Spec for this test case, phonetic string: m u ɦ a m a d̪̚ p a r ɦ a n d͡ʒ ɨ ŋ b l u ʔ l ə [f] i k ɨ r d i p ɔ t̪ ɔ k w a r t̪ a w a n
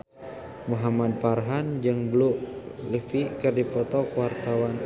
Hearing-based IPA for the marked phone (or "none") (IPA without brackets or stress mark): f